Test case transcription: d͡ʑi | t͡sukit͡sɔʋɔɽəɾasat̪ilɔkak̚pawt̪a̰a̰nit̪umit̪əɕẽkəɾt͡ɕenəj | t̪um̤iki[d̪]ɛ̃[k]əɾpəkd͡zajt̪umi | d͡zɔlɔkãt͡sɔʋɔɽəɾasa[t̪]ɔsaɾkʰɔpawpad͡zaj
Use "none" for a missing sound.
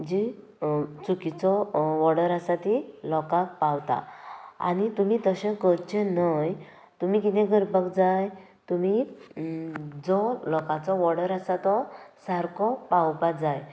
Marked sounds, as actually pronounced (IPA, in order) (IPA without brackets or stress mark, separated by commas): t̪, ɡ, t̪